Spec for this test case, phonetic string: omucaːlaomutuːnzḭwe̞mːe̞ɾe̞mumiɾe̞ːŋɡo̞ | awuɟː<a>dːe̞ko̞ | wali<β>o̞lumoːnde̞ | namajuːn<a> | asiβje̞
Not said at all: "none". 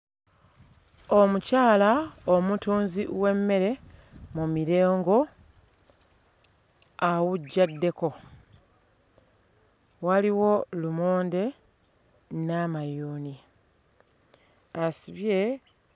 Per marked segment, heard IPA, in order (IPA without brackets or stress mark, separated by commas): a, w, i